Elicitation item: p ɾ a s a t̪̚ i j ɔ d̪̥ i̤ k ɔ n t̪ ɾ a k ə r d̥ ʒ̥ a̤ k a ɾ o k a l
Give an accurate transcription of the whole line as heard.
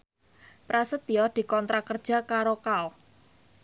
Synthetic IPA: p ɾ a s ə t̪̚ i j ɔ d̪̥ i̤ k ɔ n t̪ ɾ a k ə r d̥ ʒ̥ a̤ k a ɾ o k a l